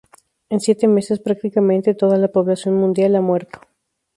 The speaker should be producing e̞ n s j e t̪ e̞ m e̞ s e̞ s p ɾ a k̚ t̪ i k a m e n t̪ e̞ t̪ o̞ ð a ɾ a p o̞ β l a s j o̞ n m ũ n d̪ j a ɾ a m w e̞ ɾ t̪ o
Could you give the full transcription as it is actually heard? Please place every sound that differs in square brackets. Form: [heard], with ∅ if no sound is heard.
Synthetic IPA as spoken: e̞ n s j e t̪ e̞ m e̞ s e̞ s p ɾ a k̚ t̪ i k a m [ẽ] n t̪ e̞ t̪ o̞ ð a [l] a p o̞ β l a s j o̞ n m ũ n d̪ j a [l] a m w e̞ ɾ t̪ o